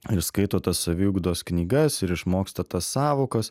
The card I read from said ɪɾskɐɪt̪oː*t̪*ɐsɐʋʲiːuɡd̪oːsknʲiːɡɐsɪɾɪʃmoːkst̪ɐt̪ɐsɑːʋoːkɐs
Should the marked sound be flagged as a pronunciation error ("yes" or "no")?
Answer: no